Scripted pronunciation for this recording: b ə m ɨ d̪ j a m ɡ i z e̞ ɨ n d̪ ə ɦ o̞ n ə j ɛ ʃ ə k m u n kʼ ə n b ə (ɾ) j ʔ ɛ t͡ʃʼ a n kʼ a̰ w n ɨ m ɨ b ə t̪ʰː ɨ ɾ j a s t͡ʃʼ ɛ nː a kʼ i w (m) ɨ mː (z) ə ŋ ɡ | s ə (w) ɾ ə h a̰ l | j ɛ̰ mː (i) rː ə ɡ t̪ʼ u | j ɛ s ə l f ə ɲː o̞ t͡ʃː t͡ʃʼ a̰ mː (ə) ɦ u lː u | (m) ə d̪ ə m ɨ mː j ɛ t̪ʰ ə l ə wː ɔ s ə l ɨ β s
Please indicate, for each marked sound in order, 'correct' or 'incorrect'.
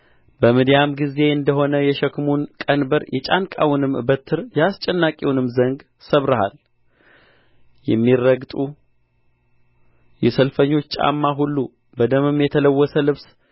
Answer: correct, incorrect, correct, incorrect, correct, incorrect, incorrect

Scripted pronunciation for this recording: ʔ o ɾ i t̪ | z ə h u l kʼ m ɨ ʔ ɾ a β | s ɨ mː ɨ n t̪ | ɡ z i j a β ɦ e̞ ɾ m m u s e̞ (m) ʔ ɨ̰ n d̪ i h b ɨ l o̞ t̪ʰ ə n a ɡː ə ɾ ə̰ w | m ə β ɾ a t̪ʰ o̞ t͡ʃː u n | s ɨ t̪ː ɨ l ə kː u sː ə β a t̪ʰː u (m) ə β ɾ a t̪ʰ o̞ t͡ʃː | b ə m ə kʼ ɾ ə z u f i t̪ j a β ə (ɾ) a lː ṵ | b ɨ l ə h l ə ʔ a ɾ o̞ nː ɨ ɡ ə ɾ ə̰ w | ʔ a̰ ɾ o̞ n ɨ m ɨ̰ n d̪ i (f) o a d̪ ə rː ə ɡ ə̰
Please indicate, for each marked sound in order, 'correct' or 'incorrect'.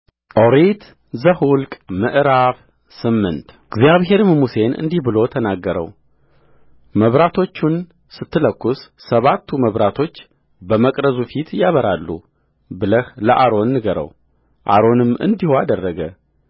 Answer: incorrect, correct, correct, incorrect

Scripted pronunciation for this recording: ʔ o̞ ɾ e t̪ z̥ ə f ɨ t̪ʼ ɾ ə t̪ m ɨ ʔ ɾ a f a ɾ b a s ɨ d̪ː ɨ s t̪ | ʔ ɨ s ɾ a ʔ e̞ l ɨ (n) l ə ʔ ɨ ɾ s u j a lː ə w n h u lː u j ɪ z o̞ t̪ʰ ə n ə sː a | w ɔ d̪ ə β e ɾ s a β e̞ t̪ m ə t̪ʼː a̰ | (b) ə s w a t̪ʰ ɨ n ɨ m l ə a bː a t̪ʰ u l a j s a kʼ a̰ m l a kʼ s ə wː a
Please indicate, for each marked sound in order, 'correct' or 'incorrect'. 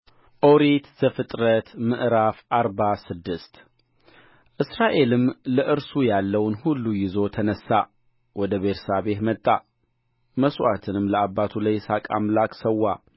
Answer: incorrect, incorrect

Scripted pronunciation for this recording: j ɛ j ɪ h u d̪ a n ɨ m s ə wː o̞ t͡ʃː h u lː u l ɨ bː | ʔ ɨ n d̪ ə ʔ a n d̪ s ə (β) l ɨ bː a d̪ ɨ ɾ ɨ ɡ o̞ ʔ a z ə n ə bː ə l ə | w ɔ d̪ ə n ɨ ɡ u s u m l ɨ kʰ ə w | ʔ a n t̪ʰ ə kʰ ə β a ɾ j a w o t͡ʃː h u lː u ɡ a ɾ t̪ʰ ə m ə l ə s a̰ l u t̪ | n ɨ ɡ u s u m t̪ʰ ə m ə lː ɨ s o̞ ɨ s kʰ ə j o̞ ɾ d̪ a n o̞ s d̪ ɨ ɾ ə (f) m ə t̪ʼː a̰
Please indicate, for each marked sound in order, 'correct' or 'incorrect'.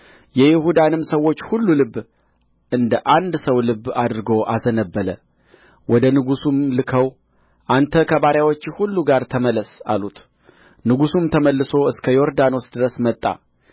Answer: incorrect, incorrect

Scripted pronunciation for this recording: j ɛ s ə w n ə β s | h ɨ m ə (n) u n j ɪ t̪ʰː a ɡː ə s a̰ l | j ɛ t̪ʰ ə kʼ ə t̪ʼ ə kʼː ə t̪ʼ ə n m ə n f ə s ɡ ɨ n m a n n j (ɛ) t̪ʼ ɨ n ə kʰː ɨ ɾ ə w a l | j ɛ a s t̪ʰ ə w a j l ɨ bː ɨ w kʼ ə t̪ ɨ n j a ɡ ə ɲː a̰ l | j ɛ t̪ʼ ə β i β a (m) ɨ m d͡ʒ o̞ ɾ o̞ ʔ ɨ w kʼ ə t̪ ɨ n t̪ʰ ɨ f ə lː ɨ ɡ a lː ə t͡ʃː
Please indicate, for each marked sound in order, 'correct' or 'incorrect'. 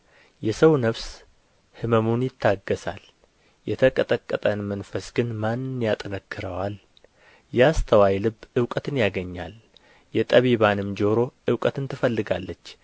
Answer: incorrect, incorrect, incorrect

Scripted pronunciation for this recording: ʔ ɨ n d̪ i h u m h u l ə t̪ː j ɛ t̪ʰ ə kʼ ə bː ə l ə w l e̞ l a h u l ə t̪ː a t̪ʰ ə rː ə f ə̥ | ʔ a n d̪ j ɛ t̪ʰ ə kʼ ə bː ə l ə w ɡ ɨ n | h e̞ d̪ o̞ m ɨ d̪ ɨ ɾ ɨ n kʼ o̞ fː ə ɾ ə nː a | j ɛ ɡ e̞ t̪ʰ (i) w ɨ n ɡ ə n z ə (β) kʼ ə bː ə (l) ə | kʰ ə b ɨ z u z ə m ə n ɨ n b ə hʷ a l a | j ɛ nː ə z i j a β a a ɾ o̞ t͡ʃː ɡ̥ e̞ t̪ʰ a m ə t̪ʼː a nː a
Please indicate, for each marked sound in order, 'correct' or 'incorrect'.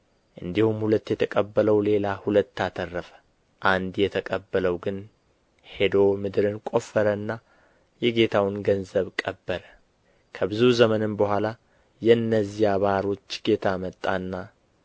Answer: incorrect, correct, incorrect

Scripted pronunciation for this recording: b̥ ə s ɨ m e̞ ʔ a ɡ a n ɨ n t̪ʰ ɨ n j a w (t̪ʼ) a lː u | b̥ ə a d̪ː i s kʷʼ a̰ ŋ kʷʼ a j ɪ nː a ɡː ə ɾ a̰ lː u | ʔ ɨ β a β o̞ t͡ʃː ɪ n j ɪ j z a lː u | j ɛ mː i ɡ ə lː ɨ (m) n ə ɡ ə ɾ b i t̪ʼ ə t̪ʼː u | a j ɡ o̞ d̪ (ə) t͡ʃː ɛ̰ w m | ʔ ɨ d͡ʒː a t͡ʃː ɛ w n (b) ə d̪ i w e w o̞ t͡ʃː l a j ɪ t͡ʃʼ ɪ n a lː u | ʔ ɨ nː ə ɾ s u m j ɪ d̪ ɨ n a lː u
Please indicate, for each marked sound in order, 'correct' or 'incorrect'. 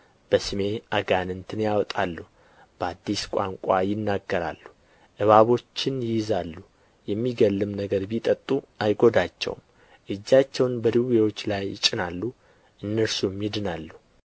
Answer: correct, correct, incorrect, correct

